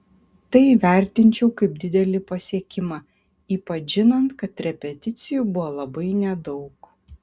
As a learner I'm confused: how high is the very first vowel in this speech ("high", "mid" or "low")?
low